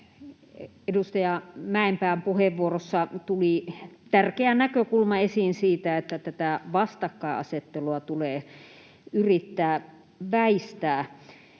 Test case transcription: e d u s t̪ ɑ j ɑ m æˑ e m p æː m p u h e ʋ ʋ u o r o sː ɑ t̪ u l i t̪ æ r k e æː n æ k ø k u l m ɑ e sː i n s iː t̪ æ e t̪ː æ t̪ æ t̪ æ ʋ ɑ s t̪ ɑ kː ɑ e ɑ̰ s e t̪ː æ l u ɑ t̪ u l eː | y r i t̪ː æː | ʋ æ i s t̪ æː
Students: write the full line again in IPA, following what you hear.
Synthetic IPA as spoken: e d u s t̪ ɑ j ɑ m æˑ e m p æː m p u h e ʋ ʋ u o r o sː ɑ t̪ u l i t̪ æ r k e æ n æ k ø k u l m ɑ e s i n s iː t̪ æ e t̪ː æ t̪ æ t̪ æ ʋ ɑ s t̪ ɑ kː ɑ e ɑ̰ s e t̪ː e l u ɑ t̪ u l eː | y r i t̪ː æː | ʋ æ i s t̪ æː

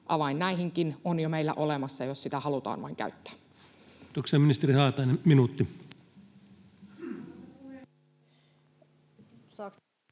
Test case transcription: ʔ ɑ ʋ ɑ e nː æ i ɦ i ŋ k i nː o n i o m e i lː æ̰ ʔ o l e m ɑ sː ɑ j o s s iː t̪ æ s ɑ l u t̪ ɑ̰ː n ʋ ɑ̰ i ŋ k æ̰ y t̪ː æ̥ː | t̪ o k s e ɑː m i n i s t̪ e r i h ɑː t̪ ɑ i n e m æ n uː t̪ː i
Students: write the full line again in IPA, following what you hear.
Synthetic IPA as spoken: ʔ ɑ ʋ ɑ i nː æ i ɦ i ŋ k i n o n j o m e i lː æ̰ ʔ o l e m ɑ sː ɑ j o s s i t̪ æ h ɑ l u t̪ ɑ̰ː n ʋ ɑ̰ i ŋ k æ̰ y t̪ː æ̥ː | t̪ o k s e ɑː m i n i s t̪ e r i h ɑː t̪ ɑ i n e m i n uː t̪ː i

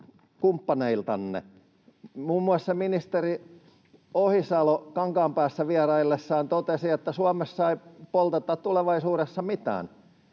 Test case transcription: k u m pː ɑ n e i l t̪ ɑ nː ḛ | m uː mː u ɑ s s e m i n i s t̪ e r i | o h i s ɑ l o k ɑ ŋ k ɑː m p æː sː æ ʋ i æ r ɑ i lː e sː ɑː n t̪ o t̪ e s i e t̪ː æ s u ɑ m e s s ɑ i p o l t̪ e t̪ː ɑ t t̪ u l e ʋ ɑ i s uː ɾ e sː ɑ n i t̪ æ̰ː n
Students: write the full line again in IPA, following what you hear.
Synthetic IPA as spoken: k u m pː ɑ n e i l t̪ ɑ nː ḛ | m uː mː u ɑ s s e m i n i s t̪ e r i | o h i s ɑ l o k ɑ ŋ k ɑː m p æː sː æ ʋ i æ r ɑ i lː e sː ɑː n t̪ o t̪ e s i e t̪ː æ s u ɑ m e s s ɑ i p o l t̪ e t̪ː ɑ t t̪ u l e ʋ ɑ i s uː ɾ e sː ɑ m i t̪ æ̰ː n

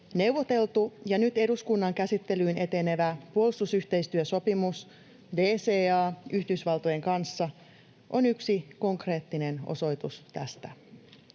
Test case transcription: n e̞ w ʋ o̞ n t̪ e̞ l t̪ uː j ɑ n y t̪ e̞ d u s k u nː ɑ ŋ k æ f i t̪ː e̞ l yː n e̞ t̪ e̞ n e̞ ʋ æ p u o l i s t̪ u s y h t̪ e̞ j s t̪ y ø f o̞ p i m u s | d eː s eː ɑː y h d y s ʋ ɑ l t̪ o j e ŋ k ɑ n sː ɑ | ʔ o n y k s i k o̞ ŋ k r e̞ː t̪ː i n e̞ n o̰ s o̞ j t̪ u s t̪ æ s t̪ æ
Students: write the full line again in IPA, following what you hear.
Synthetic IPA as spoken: n e̞ w ʋ o̞ t̪ e̞ l t̪ u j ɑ n y t̪ e̞ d u s k u nː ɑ ŋ k æ s i t̪ː e̞ l yː n e̞ t̪ e̞ n e̞ ʋ æ p u o l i s t̪ u s y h t̪ e̞ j s t̪ y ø s o̞ p i m u s | d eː s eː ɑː y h d y s ʋ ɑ l t̪ o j e ŋ k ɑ n sː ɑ | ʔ o n y k s i k o̞ ŋ k r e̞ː t̪ː i n e̞ n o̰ s o̞ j t̪ u s t̪ æ s t̪ æ

